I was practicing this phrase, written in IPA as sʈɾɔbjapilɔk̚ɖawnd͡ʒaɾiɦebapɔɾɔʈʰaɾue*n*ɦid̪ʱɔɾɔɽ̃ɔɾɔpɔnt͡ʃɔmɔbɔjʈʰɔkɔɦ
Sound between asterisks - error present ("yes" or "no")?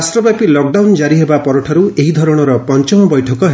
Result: yes